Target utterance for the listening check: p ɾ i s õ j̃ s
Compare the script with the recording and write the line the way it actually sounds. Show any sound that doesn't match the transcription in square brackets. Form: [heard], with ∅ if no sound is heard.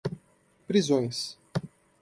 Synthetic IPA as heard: p ɾ i [z] õ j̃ s